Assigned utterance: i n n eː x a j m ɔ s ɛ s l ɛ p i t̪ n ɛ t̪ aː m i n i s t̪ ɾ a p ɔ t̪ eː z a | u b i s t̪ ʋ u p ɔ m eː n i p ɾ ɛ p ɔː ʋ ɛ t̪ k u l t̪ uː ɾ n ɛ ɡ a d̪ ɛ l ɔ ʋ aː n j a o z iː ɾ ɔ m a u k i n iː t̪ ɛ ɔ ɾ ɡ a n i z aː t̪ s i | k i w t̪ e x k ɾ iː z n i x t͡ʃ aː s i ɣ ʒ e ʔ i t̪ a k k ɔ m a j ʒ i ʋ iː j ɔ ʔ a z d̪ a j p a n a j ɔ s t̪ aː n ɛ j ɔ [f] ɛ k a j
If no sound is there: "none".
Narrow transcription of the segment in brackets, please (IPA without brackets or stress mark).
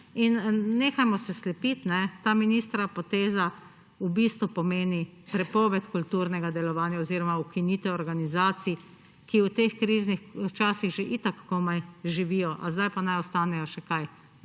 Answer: ʃ